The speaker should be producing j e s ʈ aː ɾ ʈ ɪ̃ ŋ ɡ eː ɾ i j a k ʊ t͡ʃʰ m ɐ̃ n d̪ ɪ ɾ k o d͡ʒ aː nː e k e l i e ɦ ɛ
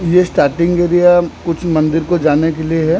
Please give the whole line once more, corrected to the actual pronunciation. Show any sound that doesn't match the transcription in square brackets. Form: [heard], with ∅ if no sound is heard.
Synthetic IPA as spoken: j e s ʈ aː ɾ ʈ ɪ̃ ŋ ɡ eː ɾ i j a k ʊ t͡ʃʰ m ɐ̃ n d̪ ɪ ɾ k o d͡ʒ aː [n] e k e l i e ɦ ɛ

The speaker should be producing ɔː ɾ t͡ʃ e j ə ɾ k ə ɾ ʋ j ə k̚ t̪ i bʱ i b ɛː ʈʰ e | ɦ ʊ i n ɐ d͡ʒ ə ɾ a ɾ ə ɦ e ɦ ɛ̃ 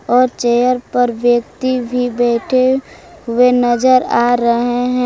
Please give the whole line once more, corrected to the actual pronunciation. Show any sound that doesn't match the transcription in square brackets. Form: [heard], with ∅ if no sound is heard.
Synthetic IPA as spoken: ɔː ɾ t͡ʃ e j ə ɾ [p] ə ɾ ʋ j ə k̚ t̪ i bʱ i b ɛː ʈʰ e | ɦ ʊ [e] n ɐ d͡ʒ ə ɾ a ɾ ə ɦ e ɦ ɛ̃

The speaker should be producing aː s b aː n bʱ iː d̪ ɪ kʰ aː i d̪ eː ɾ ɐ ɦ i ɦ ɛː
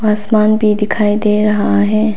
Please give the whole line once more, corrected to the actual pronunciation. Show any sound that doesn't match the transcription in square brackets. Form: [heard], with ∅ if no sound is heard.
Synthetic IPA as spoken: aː s [m] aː n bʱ [i] d̪ ɪ kʰ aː i d̪ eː ɾ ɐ ɦ [a] ɦ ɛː

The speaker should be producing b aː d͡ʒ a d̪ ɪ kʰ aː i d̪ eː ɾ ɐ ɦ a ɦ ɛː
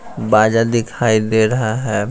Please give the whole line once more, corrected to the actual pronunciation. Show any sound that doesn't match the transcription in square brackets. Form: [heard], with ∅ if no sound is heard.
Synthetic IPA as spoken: b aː d͡ʒ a d̪ ɪ kʰ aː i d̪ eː ɾ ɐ ɦ a ɦ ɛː

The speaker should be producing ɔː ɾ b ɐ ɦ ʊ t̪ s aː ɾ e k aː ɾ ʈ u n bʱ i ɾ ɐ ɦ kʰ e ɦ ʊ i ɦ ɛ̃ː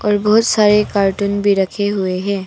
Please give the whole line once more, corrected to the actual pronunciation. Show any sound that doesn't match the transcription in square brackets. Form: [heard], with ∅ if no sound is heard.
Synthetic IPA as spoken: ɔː ɾ b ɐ ɦ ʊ t̪ s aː ɾ e k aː ɾ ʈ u n bʱ i ɾ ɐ [∅] kʰ e ɦ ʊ [e] ɦ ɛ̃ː

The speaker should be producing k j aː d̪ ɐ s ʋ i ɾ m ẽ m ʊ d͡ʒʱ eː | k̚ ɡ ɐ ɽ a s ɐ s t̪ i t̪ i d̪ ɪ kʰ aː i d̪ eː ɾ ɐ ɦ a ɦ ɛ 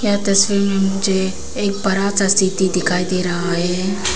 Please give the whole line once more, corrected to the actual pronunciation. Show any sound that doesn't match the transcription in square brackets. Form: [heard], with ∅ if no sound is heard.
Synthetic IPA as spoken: k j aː [t̪] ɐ s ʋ i ɾ m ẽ m ʊ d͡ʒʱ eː | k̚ [b] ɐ [ɾ] a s [a] s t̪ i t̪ i d̪ ɪ kʰ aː i d̪ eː ɾ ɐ ɦ a ɦ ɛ

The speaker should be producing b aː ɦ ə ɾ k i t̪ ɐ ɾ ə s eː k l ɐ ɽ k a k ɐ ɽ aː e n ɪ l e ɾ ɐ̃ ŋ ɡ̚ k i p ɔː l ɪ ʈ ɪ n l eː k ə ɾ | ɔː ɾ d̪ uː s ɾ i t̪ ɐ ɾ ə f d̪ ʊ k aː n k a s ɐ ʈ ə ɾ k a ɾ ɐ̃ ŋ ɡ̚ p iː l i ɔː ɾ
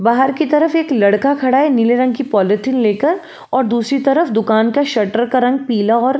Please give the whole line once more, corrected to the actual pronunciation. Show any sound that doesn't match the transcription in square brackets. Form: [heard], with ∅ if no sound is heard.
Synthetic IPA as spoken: b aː ɦ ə ɾ k i t̪ ɐ ɾ ə [f] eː k l ɐ ɽ k a [kʰ] ɐ ɽ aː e n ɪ l e ɾ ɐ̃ ŋ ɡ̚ k i p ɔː l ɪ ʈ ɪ n l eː k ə ɾ | ɔː ɾ d̪ uː s ɾ i t̪ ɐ ɾ ə f d̪ ʊ k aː n k a [ʃ] ɐ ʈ ə ɾ k a ɾ ɐ̃ ŋ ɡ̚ p iː l [a] ɔː ɾ

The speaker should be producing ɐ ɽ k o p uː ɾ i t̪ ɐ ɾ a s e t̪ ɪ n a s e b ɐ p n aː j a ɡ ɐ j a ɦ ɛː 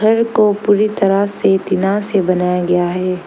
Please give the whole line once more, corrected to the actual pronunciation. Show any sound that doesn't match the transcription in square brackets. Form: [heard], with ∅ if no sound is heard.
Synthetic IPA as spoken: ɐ [ɾ] k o p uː ɾ i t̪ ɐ ɾ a s e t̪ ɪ n a s e b ɐ [∅] n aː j a ɡ ɐ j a ɦ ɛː

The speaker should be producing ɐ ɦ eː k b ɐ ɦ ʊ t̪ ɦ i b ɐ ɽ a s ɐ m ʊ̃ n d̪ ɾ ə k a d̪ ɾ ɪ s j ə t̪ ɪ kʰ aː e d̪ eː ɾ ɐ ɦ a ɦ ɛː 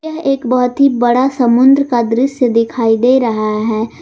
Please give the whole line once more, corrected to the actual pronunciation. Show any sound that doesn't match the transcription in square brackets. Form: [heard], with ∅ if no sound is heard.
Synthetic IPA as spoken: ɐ ɦ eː k b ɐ ɦ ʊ t̪ ɦ i b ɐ ɽ a s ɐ m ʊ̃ n d̪ ɾ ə k a d̪ ɾ ɪ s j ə [d̪] ɪ kʰ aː [i] d̪ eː ɾ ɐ ɦ a ɦ ɛː

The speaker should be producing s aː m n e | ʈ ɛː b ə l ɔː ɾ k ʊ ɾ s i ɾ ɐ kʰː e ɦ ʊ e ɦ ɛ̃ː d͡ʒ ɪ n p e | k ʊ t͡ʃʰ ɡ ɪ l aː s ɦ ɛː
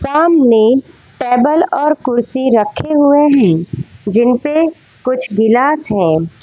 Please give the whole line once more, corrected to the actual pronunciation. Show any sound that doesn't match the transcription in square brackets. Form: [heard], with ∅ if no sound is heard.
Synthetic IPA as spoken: s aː m n e | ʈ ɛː b ə l ɔː ɾ k ʊ ɾ s i ɾ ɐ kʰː e ɦ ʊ e ɦ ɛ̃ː d͡ʒ ɪ n p e | k ʊ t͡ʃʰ ɡ ɪ l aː s ɦ [ɛ̃ː]

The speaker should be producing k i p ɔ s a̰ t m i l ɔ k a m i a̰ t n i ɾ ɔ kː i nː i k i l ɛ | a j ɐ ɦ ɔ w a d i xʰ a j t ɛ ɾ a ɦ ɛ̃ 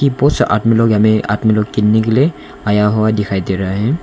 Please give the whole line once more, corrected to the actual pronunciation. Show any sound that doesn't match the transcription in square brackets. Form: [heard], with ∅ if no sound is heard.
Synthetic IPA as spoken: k i p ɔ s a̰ t m i l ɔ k a m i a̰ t [m] i [l] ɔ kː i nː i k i l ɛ | a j [a] ɦ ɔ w a d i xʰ a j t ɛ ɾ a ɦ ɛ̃

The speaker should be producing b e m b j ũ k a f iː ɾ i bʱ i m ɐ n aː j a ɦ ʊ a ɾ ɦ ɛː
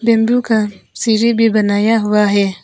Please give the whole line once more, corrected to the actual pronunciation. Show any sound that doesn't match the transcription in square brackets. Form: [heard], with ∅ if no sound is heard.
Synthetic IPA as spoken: b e m b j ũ k a [s] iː ɾ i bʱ i [b] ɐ n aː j a ɦ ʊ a [∅] ɦ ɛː

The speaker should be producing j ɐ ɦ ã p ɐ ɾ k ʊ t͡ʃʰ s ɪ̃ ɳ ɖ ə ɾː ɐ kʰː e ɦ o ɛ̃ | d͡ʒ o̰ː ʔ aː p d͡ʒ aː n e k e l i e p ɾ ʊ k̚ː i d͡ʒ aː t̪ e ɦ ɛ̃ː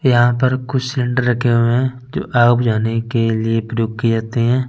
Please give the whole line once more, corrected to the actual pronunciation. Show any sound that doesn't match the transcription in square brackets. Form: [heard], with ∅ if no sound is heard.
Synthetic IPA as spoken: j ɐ ɦ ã p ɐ ɾ k ʊ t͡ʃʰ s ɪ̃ ɳ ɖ ə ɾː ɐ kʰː e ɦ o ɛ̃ | d͡ʒ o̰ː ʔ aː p d͡ʒ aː n e k e l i e p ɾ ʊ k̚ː i d͡ʒ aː t̪ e ɦ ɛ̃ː

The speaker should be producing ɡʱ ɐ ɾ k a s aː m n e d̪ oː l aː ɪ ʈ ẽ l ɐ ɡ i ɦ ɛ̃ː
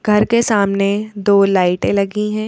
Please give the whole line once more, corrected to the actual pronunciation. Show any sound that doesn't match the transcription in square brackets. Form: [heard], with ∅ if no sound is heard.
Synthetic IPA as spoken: ɡʱ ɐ ɾ k [e] s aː m n e d̪ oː l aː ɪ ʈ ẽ l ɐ ɡ i ɦ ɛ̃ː

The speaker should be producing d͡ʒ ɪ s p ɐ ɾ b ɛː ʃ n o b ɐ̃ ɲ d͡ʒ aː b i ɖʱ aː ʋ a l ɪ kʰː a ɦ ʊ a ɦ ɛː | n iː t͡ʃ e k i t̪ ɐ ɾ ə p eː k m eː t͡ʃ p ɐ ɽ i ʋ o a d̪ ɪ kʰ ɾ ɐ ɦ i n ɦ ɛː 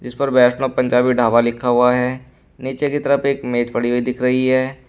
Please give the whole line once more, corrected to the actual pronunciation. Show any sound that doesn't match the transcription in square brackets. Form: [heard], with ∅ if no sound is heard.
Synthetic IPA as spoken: d͡ʒ ɪ s p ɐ ɾ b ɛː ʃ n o [p] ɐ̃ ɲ d͡ʒ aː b i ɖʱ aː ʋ a l ɪ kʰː a ɦ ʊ a ɦ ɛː | n iː t͡ʃ e k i t̪ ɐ ɾ ə p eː k m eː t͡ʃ p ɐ ɽ i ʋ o [i] d̪ ɪ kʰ ɾ ɐ ɦ i [∅] ɦ ɛː

